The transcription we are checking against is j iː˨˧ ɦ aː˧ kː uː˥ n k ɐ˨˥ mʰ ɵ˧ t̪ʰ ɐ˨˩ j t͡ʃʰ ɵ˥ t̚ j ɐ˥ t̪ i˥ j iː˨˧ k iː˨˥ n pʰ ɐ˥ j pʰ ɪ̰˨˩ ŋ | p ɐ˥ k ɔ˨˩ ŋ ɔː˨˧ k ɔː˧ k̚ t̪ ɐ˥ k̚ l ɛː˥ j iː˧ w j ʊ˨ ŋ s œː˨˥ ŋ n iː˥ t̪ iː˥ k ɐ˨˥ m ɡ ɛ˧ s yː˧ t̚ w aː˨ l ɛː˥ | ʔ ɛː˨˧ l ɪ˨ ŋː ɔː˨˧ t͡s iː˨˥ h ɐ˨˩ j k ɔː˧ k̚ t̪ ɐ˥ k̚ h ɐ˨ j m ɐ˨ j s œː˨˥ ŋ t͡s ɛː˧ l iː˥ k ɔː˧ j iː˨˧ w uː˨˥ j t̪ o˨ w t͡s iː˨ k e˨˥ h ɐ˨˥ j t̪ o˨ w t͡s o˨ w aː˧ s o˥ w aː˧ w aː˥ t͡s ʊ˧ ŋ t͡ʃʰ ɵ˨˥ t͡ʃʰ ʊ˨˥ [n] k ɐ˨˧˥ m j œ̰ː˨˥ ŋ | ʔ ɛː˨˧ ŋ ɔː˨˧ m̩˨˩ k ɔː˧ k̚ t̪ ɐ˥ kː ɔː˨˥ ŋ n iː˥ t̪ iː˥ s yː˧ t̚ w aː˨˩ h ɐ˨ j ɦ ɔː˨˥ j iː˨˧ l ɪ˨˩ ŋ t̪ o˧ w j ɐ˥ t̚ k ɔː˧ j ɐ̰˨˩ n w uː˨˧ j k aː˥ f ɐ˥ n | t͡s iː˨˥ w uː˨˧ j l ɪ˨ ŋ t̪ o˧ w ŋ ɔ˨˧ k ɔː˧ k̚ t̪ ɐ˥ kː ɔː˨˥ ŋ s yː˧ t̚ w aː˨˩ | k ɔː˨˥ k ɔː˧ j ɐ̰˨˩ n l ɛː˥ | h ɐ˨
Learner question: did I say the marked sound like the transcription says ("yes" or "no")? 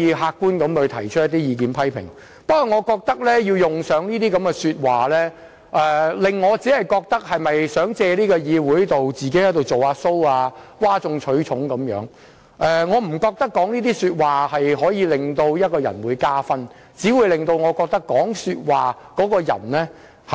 no